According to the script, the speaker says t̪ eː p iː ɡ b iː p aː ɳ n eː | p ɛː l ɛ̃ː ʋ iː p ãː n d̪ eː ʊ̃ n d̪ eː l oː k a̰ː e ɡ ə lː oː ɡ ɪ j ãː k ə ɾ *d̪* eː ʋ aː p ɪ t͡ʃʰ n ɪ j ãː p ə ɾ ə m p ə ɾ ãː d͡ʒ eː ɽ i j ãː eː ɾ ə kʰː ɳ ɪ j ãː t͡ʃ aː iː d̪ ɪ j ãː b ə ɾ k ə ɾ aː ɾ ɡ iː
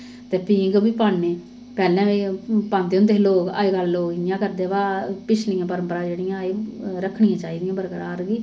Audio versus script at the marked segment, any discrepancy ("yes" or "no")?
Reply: no